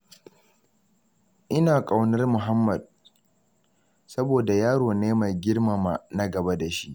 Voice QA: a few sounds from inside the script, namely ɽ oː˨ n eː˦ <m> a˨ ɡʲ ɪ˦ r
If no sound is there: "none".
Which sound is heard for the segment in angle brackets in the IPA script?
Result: m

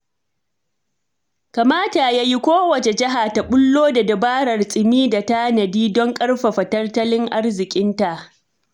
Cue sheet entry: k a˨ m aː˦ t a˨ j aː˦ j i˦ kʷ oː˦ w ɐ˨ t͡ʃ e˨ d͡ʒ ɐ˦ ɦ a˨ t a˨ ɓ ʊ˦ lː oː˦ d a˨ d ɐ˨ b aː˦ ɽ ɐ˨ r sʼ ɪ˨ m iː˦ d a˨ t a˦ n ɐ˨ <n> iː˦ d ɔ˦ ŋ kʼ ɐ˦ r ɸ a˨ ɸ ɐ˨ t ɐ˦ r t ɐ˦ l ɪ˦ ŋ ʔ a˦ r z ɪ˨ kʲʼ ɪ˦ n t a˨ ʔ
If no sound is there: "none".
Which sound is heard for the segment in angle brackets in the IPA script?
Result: d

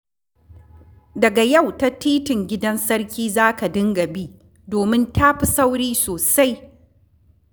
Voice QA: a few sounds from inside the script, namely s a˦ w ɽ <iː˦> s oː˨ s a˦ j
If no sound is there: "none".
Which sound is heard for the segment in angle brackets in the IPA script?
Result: iː˦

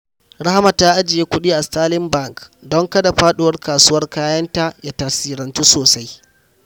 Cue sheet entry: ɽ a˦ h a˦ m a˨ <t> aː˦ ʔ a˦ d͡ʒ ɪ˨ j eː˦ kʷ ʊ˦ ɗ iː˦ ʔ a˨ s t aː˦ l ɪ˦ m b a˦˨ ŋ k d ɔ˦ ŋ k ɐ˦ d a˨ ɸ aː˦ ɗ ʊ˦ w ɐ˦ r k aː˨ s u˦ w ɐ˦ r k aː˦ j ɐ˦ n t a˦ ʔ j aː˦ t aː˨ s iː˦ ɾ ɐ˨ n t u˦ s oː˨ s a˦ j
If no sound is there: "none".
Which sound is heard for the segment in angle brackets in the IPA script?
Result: t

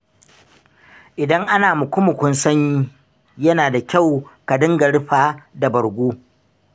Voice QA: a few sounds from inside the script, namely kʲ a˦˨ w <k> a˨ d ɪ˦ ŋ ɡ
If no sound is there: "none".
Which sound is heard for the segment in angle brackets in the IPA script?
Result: k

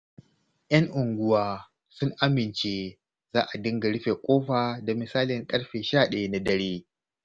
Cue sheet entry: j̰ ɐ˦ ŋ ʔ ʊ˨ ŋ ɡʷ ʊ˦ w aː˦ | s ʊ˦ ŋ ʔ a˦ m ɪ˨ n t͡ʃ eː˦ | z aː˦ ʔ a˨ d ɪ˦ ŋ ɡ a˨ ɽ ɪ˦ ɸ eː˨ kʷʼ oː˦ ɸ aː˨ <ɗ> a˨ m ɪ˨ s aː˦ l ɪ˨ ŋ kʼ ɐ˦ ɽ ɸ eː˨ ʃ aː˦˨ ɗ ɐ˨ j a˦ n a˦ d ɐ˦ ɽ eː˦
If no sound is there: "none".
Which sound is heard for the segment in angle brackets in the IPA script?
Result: d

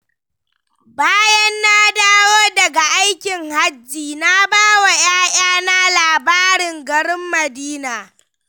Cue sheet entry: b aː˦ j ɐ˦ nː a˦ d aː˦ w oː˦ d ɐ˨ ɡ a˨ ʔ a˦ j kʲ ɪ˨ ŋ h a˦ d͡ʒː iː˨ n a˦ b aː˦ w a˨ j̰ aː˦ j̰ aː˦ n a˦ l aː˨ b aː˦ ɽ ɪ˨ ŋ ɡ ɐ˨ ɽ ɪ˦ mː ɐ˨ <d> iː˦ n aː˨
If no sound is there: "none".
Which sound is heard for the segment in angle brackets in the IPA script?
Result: d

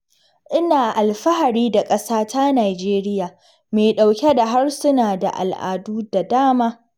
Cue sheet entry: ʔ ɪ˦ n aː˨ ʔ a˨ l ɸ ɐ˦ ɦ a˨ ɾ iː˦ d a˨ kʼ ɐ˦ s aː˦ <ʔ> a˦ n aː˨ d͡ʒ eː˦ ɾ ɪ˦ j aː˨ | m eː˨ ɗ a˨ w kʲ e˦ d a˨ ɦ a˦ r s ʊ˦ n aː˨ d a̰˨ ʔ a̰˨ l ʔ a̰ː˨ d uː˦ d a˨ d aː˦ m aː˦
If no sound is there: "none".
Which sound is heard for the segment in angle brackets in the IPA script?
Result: t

